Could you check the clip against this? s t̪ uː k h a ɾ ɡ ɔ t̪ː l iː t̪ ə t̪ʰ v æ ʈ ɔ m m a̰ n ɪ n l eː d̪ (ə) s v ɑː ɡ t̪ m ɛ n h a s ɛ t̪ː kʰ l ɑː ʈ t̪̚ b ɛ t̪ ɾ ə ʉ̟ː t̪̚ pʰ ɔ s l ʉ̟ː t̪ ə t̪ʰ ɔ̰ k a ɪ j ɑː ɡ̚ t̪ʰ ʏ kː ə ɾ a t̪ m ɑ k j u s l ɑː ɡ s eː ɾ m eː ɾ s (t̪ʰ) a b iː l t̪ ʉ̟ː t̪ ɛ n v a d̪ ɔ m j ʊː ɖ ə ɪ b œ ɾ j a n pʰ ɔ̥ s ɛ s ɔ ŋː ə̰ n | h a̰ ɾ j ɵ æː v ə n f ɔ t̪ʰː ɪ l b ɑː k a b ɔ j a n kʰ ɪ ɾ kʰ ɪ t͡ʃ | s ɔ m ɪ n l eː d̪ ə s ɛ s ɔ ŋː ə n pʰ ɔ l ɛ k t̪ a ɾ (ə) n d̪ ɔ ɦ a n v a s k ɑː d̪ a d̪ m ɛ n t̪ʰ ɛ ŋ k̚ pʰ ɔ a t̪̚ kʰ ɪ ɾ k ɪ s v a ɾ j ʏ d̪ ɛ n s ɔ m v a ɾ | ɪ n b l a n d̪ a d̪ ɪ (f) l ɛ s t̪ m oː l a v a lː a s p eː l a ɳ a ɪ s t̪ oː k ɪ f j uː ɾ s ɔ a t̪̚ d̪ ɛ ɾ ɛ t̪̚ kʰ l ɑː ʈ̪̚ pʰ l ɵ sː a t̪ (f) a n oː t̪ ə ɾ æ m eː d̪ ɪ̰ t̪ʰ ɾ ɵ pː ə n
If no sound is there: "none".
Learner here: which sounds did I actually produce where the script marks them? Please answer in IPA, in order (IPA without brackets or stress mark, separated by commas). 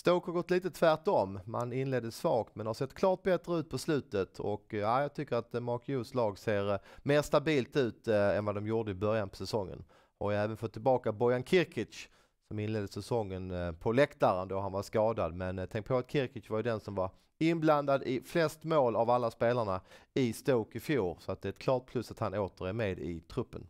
ə, t̪, ə, f, h